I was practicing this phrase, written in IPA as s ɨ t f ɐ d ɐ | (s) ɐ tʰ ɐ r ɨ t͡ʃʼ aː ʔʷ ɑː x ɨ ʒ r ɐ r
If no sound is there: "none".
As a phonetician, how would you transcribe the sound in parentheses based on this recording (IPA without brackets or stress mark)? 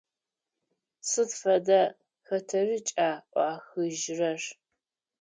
x